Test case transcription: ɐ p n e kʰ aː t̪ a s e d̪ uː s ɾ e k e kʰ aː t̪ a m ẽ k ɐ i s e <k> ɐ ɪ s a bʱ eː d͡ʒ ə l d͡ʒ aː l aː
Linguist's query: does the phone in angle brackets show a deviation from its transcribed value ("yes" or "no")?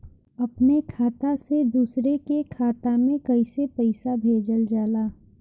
yes